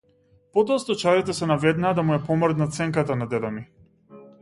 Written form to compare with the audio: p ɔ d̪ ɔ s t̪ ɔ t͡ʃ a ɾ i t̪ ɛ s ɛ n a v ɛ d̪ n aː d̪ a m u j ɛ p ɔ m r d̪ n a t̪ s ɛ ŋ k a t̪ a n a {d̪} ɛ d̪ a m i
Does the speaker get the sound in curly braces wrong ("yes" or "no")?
no